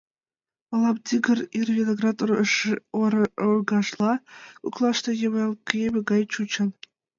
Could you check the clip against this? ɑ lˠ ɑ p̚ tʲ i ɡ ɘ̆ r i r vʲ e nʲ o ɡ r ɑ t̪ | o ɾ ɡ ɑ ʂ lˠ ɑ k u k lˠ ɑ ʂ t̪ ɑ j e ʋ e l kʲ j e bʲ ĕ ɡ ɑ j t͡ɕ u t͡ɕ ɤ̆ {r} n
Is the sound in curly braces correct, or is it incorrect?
incorrect: none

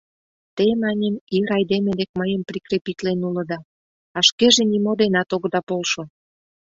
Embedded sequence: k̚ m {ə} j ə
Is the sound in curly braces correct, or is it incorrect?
correct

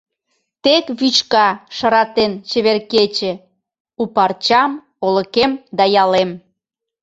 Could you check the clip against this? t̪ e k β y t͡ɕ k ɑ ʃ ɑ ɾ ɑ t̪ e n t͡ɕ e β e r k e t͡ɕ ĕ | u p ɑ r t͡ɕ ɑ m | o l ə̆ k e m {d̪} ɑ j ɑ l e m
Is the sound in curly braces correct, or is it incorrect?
correct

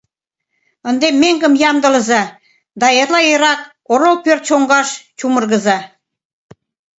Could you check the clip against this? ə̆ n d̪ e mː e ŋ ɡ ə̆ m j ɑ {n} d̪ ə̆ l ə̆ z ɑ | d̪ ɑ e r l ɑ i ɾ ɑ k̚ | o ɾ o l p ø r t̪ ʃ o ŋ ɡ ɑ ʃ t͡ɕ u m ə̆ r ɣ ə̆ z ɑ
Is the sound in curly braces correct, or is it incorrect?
incorrect: m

